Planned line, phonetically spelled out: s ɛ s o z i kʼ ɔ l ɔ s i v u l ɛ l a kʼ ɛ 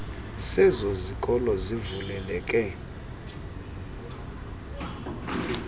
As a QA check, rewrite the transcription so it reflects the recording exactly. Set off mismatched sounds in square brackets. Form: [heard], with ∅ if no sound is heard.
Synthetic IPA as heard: s ɛ [z] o z i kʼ ɔ l ɔ [z] i v u l ɛ l [ɛ] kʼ ɛ